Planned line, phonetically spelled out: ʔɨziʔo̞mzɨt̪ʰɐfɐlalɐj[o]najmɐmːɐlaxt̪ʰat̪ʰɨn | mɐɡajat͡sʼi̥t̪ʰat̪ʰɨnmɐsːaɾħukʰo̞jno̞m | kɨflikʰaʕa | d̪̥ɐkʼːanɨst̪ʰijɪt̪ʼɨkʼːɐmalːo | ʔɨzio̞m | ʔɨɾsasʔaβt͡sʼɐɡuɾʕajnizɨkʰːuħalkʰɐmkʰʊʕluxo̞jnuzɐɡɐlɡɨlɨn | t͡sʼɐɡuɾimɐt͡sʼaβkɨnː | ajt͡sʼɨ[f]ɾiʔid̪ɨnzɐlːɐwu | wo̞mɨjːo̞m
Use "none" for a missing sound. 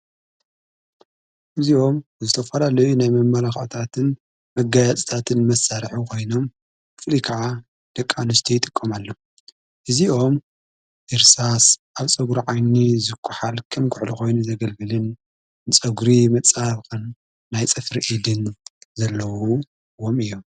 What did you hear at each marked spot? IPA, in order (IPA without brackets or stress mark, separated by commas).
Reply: u, f